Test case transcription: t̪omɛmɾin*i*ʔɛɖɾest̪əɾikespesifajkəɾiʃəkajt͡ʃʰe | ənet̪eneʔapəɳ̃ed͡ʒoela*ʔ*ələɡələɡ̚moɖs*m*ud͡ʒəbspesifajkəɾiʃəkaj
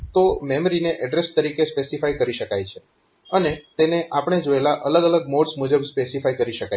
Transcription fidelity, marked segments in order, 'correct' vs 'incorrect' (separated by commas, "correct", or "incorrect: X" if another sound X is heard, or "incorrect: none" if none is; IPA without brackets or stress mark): incorrect: e, correct, correct